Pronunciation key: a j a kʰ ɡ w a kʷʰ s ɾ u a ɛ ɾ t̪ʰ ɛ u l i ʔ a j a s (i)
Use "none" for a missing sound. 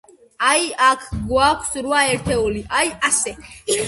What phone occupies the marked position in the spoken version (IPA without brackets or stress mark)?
ɛ